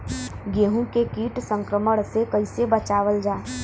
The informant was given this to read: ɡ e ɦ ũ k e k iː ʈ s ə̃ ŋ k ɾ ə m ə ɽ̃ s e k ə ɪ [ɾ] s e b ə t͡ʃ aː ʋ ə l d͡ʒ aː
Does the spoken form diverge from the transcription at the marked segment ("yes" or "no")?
yes